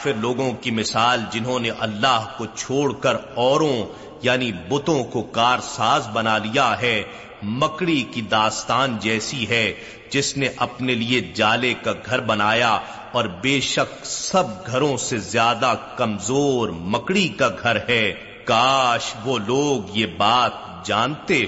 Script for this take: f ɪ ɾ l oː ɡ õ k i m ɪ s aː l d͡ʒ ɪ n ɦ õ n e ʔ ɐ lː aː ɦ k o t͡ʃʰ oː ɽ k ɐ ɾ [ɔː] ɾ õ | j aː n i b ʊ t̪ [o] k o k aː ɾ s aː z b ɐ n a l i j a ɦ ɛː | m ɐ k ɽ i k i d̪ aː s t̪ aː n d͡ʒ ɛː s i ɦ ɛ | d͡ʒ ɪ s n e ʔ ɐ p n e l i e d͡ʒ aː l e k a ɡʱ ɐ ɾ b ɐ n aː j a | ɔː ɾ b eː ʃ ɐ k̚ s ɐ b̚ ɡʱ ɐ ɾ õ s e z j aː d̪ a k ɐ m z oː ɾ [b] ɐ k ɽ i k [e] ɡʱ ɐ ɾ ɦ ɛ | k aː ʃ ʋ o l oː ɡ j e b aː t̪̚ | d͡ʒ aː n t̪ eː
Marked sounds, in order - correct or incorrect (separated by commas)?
correct, incorrect, incorrect, incorrect